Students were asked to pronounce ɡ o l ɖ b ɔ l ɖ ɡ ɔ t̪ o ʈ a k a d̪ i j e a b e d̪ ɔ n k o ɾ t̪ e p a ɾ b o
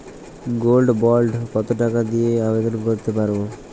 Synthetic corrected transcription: ɡ o l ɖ b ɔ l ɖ k ɔ t̪ o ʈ a k a d̪ i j e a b e d̪ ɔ n k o ɾ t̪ e p a ɾ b o